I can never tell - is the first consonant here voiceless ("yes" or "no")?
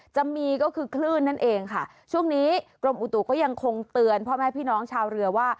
yes